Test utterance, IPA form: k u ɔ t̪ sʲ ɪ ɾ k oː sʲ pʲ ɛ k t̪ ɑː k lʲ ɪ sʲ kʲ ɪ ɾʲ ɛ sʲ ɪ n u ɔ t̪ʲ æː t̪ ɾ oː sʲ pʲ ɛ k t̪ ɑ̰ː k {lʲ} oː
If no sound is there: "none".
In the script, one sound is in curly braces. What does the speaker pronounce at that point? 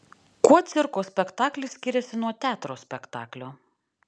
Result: lʲ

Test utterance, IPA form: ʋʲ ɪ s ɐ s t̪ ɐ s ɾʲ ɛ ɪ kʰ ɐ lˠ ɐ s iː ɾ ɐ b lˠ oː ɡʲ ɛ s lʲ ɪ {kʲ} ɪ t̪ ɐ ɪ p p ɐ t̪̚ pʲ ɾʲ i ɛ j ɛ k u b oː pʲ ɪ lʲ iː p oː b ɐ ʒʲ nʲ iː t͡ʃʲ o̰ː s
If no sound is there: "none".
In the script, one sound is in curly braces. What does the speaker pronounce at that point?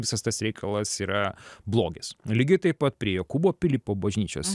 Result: ɡʲ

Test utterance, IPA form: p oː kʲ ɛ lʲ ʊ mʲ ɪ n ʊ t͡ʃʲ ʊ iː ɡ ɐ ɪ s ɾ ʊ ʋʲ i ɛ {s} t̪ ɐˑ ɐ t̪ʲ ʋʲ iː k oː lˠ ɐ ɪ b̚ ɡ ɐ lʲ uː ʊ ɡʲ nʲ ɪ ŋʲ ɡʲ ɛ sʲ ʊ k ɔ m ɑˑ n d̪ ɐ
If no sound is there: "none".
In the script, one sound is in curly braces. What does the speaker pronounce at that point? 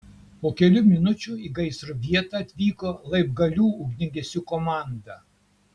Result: none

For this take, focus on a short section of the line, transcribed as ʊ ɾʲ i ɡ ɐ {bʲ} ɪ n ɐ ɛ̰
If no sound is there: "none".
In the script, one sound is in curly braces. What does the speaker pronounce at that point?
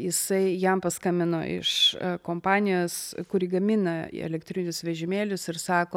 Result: mʲ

